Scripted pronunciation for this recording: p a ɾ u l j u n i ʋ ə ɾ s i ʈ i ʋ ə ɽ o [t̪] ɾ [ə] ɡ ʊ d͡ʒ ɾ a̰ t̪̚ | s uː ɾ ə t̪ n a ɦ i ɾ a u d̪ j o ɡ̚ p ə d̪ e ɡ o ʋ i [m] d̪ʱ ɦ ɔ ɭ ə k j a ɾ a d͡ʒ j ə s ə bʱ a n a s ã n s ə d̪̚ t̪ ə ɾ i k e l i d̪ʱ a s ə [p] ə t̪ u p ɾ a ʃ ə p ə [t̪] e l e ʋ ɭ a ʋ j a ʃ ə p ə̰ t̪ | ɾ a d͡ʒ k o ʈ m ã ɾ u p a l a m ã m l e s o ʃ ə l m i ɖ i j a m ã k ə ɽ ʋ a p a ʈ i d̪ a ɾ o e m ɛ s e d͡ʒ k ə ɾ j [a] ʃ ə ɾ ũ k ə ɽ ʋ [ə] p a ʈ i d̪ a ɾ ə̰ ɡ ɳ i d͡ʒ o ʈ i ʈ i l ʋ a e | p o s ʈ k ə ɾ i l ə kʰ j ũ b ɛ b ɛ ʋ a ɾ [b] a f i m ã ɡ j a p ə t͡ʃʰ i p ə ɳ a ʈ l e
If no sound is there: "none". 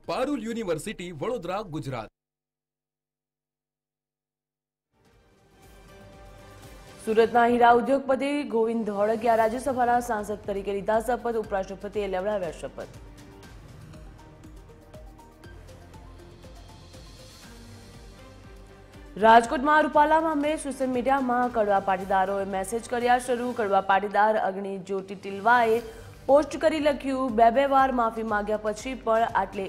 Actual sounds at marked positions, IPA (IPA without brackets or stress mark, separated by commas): d̪, a, n, p, t̪, a, a, m